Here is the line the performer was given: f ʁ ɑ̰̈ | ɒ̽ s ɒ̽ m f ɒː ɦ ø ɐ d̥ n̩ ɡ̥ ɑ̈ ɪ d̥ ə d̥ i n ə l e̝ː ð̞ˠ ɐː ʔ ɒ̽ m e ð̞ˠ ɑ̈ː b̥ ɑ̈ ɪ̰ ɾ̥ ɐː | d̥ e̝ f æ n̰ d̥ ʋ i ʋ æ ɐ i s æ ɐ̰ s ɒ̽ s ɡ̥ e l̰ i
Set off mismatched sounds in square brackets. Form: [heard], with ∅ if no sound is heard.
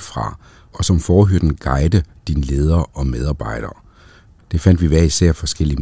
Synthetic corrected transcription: f ʁ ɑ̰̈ | ɒ̽ s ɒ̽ m f ɒː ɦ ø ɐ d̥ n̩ ɡ̥ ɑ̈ ɪ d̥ ə d̥ i n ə l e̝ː ð̞ˠ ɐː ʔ ɒ̽ m e ð̞ˠ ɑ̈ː b̥ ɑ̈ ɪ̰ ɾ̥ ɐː | d̥ e̝ f æ n̰ d̥ ʋ i ʋ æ ɐ i s æ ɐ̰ [f] ɒ̽ s ɡ̥ e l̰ i